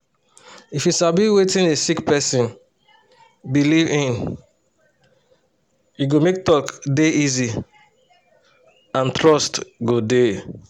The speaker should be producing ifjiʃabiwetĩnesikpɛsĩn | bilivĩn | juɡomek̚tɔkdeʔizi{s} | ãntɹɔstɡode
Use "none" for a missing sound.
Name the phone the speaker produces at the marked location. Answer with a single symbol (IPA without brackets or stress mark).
none